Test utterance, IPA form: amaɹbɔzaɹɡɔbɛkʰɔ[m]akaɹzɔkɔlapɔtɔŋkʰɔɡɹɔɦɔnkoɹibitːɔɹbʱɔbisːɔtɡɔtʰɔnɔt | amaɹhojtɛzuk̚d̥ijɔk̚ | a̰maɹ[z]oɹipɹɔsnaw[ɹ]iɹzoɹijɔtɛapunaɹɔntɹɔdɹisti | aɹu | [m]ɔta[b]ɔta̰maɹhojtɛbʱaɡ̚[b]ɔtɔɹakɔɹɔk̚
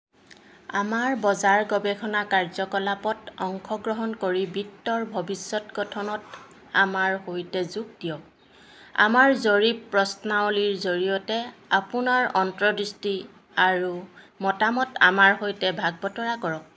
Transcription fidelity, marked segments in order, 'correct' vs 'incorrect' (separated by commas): incorrect, correct, incorrect, correct, incorrect, correct